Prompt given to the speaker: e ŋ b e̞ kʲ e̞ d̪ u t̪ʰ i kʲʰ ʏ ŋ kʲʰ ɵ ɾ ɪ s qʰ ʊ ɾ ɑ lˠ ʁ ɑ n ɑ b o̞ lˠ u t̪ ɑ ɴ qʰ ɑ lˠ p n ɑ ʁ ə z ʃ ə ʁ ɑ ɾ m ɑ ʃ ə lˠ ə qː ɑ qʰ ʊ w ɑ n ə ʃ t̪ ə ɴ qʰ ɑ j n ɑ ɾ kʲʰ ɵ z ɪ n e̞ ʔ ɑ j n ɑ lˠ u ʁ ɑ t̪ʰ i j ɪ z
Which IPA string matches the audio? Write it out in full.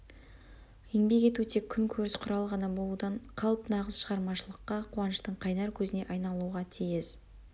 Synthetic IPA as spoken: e ŋ b e̞ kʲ e̞ t̪ u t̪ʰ e kʲʰ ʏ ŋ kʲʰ ɵ ɾ ɪ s qʰ ʊ ɾ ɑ lˠ ʁ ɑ n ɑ b o̞ lˠ u d̪ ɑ ɴ qʰ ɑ lˠ p n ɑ ʁ ə z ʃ ə ʁ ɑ ɾ m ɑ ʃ ə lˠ ə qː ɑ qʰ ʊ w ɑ n ə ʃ t̪ ə ɴ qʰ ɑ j n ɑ ɾ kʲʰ ɵ z ɪ n e̞ ʔ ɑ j n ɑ lˠ u ʁ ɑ t̪ʰ i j ɪ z